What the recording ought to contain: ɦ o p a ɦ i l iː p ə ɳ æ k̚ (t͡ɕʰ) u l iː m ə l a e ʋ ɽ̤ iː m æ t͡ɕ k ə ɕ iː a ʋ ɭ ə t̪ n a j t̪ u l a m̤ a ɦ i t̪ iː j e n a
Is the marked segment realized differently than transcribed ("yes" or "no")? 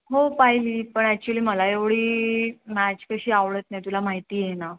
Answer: yes